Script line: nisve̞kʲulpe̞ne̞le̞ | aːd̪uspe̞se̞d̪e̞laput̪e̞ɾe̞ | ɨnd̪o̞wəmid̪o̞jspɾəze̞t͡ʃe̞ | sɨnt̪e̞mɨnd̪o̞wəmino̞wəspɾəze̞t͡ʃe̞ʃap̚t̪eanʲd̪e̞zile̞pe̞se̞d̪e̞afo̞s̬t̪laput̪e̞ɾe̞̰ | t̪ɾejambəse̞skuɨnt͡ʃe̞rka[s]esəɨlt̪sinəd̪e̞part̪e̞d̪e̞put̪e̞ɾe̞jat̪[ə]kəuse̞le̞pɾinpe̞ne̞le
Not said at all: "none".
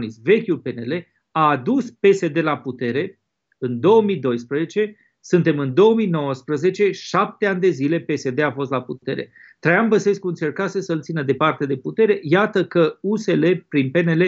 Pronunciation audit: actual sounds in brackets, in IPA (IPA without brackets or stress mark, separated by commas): s, ə